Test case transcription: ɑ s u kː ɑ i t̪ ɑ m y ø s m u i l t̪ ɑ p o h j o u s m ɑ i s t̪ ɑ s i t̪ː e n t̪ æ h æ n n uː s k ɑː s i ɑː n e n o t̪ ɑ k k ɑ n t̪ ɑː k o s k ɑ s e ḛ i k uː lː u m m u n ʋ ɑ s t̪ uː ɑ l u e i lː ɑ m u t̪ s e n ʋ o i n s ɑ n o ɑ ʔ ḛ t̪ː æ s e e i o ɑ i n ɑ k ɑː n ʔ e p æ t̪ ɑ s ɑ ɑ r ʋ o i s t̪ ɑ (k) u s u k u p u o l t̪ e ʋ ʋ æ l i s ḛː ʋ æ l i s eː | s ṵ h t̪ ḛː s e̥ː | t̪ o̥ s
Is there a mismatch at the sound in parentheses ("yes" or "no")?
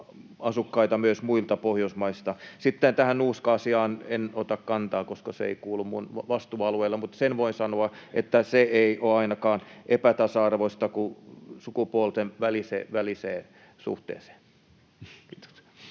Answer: no